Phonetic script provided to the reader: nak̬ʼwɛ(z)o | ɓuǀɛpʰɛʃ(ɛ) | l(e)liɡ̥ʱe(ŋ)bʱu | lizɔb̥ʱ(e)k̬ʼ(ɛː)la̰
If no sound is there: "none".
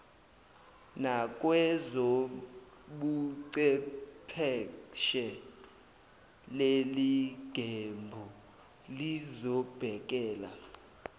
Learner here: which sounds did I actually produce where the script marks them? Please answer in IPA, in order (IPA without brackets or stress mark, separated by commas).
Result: z, ɛ, e, m, ɛ, ɛː